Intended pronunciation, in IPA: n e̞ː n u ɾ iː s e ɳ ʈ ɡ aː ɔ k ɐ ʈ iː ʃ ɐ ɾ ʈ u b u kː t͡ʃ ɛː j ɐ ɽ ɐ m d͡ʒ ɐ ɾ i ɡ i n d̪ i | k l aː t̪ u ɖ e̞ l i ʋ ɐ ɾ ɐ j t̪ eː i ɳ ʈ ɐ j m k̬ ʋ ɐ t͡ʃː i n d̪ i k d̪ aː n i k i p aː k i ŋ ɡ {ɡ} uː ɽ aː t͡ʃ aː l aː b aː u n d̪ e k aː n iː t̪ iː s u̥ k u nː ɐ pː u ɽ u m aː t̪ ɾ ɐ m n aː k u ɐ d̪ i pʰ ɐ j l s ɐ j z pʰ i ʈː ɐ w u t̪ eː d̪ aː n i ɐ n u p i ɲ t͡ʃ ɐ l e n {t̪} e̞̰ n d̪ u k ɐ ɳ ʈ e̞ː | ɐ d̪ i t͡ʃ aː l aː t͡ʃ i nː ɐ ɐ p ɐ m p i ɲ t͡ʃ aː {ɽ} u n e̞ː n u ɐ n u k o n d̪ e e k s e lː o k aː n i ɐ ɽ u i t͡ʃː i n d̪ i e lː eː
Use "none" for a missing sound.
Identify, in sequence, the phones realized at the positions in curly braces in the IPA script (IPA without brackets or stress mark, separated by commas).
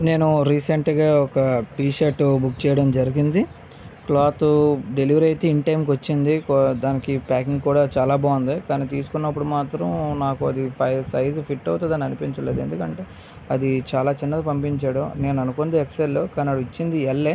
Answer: k, d̪, ɽ